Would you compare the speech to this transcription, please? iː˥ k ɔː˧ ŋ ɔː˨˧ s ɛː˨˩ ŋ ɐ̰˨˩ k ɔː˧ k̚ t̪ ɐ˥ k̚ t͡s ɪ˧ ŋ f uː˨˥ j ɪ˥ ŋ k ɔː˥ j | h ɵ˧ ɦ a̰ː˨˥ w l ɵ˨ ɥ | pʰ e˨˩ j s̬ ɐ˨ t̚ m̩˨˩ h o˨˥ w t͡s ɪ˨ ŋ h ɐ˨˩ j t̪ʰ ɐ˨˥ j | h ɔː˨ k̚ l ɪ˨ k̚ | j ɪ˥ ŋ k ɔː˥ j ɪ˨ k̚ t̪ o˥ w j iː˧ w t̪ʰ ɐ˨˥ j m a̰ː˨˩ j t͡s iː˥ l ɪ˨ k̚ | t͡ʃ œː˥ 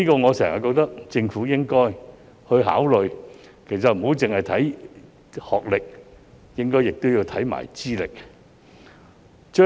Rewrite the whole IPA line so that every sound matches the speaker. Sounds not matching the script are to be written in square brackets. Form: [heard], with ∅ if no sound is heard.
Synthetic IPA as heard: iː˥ k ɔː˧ ŋ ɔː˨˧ s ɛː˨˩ ŋ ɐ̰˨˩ k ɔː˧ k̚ t̪ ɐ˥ k̚ t͡s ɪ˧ ŋ f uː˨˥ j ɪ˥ ŋ k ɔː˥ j | h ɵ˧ ɦ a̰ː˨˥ w l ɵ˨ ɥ | [kʰ] e˨˩ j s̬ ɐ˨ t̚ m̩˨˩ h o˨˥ w t͡s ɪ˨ ŋ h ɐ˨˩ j t̪ʰ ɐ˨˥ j | h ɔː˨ k̚ l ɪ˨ k̚ | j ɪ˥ ŋ k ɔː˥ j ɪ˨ k̚ t̪ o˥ w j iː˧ w t̪ʰ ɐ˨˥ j m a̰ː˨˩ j t͡s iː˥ l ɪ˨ k̚ | t͡ʃ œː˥